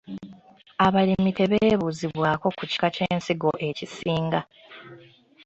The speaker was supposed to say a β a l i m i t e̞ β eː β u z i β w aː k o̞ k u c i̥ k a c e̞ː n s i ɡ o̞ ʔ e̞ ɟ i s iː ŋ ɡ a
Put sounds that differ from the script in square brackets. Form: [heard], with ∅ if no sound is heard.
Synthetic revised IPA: a β a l i m i t e̞ β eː β u z i β w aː k o̞ k u c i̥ k a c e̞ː n s i ɡ o̞ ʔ e̞ [c] i s iː ŋ ɡ a